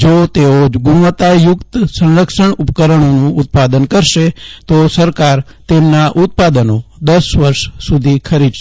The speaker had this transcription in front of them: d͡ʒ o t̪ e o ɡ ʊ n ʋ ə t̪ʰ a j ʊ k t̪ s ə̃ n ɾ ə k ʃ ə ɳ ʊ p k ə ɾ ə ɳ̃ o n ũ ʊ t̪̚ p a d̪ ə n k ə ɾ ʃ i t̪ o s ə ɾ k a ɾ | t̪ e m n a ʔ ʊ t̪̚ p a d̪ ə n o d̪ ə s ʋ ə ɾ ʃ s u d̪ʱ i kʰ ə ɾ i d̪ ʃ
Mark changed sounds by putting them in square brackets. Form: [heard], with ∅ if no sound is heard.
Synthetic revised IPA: d͡ʒ o t̪ e o ɡ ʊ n ʋ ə [t̪] a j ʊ k t̪ s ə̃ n ɾ ə k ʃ ə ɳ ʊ p k ə ɾ ə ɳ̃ o n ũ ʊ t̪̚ p a d̪ ə n k ə ɾ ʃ [e] t̪ o s ə ɾ k a ɾ | t̪ e m n a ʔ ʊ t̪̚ p a d̪ ə n o d̪ ə s ʋ ə ɾ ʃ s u d̪ʱ i kʰ ə ɾ i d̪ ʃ

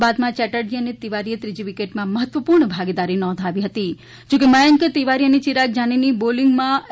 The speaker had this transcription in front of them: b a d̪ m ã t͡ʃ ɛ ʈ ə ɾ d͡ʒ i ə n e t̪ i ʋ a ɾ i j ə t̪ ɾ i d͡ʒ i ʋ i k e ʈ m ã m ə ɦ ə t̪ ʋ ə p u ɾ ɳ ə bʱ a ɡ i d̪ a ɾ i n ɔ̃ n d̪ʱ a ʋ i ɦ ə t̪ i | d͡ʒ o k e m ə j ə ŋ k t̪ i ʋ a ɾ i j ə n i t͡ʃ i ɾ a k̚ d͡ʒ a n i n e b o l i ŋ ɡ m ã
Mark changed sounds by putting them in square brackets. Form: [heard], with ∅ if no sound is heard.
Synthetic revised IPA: b a d̪ m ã t͡ʃ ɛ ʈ ə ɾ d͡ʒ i ə n e t̪ i ʋ a ɾ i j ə t̪ ɾ i d͡ʒ i ʋ i k e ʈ m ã m ə ɦ ə t̪ ʋ ə p u ɾ ɳ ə bʱ a ɡ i d̪ a ɾ i n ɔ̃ n d̪ʱ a ʋ i ɦ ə t̪ i | d͡ʒ o k e m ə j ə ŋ k t̪ i ʋ a ɾ i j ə n i t͡ʃ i ɾ a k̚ d͡ʒ a n i n [i] b o l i ŋ ɡ m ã

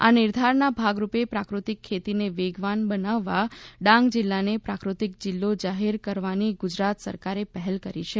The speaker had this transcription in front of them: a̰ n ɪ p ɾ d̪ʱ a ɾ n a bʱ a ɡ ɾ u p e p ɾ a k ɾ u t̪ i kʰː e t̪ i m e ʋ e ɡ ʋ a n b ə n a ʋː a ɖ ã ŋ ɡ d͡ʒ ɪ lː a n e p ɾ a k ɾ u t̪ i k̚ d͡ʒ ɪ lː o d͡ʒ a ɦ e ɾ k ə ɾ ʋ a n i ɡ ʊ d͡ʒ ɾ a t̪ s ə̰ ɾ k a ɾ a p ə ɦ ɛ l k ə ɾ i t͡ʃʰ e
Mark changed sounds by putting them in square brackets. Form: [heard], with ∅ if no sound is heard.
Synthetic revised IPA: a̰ n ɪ [∅] ɾ d̪ʱ a ɾ n a bʱ a ɡ ɾ u p e p ɾ a k ɾ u t̪ i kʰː e t̪ i [n] e ʋ e ɡ ʋ a n b ə n a ʋː a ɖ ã ŋ ɡ d͡ʒ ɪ lː a n e p ɾ a k ɾ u t̪ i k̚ d͡ʒ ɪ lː o d͡ʒ a ɦ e ɾ k ə ɾ ʋ a n i ɡ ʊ d͡ʒ ɾ a t̪ s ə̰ ɾ k a ɾ [e] p ə ɦ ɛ l k ə ɾ i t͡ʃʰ e

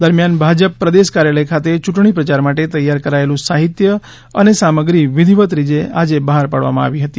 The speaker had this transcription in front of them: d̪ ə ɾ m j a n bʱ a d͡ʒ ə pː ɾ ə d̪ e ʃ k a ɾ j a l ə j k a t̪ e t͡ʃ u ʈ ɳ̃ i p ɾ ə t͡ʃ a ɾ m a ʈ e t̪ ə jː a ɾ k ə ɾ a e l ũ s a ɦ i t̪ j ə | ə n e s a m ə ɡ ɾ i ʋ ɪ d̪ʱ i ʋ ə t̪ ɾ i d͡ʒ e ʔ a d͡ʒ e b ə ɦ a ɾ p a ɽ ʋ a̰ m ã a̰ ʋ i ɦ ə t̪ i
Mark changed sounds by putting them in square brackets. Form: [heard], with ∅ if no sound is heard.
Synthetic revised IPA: d̪ ə ɾ m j a n bʱ a d͡ʒ ə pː ɾ ə d̪ e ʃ k a ɾ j a l ə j [kʰ] a t̪ e t͡ʃ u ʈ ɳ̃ i p ɾ ə t͡ʃ a ɾ m a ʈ e t̪ ə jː a ɾ k ə ɾ a e l ũ s a ɦ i t̪ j ə | ə n e s a m ə ɡ ɾ i ʋ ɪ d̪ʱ i ʋ ə t̪ ɾ i d͡ʒ e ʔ a d͡ʒ e b ə ɦ a ɾ p a ɽ ʋ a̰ m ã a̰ ʋ i ɦ ə t̪ i

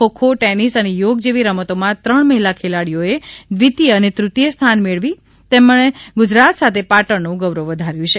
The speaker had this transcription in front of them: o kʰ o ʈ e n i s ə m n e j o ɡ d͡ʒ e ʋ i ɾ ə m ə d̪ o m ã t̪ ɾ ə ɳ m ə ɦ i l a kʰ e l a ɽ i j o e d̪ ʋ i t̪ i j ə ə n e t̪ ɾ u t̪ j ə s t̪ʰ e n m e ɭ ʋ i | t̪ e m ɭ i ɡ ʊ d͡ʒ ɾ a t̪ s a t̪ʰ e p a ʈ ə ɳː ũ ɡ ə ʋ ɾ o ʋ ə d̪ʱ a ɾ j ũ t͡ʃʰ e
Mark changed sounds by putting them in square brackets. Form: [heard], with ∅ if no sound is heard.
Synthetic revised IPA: o kʰ o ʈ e n i s ə [∅] n e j o ɡ d͡ʒ e ʋ i ɾ ə m ə [t̪] o m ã t̪ ɾ ə ɳ m ə ɦ i l a kʰ e l a ɽ i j o e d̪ ʋ i t̪ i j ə ə n e t̪ ɾ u t̪ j ə s t̪ʰ [a] n m e ɭ ʋ i | t̪ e m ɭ [e] ɡ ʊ d͡ʒ ɾ a t̪ s a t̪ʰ e p a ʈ ə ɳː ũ ɡ ə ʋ ɾ o ʋ ə d̪ʱ a ɾ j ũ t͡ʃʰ e

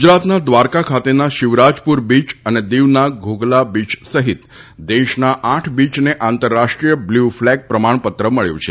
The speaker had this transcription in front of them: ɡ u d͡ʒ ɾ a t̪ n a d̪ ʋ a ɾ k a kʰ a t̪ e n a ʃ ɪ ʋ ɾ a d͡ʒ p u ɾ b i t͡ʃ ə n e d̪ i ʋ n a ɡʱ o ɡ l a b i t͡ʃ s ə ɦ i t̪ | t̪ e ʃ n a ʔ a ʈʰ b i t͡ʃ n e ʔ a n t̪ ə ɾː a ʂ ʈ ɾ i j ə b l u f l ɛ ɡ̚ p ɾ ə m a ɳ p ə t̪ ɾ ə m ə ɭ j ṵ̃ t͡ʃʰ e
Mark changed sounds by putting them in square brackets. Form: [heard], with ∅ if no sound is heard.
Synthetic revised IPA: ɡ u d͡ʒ ɾ a t̪ n a d̪ ʋ a ɾ k a kʰ a t̪ e n a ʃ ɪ ʋ ɾ a d͡ʒ p u ɾ b i t͡ʃ ə n e d̪ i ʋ n a ɡʱ o ɡ l a b i t͡ʃ s ə ɦ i t̪ | [d̪] e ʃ n a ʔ a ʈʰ b i t͡ʃ n e ʔ a n t̪ ə ɾː a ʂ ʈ ɾ i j ə b l u f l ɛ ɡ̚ p ɾ ə m a ɳ p ə t̪ ɾ ə m ə ɭ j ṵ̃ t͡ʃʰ e

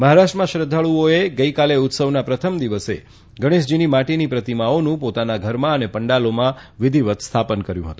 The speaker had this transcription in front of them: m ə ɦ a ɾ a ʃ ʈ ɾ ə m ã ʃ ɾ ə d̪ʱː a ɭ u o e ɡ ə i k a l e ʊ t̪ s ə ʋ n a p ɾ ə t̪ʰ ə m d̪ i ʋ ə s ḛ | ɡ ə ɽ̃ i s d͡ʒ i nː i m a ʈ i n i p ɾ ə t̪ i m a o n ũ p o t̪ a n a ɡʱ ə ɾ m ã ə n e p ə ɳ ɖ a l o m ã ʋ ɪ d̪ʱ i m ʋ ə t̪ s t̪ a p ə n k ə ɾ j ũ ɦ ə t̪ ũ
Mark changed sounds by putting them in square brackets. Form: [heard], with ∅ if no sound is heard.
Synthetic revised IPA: m ə ɦ a ɾ a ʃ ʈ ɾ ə m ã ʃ ɾ ə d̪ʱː a ɭ u o e ɡ ə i k a l e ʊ t̪ s ə ʋ n a p ɾ ə t̪ʰ ə m d̪ i ʋ ə s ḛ | ɡ ə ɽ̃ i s d͡ʒ i [n] i m a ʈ i n i p ɾ ə t̪ i m a o n ũ p o t̪ a n a ɡʱ ə ɾ m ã ə n e p ə ɳ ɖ a l o m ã ʋ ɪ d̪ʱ i [∅] ʋ ə t̪ s [t̪ʰ] a p ə n k ə ɾ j ũ ɦ ə t̪ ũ

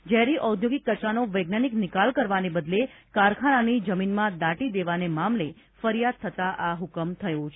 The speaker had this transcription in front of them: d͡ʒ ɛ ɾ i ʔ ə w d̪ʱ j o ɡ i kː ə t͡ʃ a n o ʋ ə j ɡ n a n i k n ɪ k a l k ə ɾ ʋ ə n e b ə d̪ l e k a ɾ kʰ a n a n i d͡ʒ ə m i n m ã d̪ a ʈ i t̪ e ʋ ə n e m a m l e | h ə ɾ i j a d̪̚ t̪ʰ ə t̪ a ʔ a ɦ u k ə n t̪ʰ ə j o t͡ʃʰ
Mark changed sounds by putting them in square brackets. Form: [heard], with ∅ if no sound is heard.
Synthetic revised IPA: d͡ʒ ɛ ɾ i ʔ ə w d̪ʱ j o ɡ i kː ə t͡ʃ a n o ʋ ə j ɡ n a n i k n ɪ k a l k ə ɾ ʋ [a] n e b ə d̪ l e k a ɾ kʰ a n a n i d͡ʒ ə m i n m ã d̪ a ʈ i [d̪] e ʋ [a] n e m a m l e | [f] ə ɾ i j a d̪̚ t̪ʰ ə t̪ a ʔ a ɦ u k ə [m] t̪ʰ ə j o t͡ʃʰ

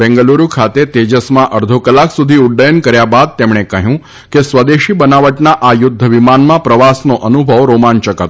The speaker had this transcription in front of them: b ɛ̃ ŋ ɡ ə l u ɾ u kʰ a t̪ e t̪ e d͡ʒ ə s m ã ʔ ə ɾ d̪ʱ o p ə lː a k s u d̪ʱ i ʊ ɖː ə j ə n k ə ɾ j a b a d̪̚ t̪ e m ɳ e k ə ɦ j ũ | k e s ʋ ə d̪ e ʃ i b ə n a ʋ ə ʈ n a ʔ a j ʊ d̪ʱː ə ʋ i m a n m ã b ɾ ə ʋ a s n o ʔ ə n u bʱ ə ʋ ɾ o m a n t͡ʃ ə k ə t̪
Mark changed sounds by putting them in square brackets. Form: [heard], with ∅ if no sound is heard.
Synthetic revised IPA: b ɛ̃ ŋ ɡ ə l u ɾ u kʰ a t̪ e t̪ e d͡ʒ ə s m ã ʔ ə ɾ d̪ʱ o [k] ə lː a k s u d̪ʱ i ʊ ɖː ə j ə n k ə ɾ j a b a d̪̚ t̪ e m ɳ e k ə ɦ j ũ | k e s ʋ ə d̪ e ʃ i b ə n a ʋ ə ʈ n a ʔ a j ʊ d̪ʱː ə ʋ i m a n m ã [p] ɾ ə ʋ a s n o ʔ ə n u bʱ ə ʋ ɾ o m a n t͡ʃ ə k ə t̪

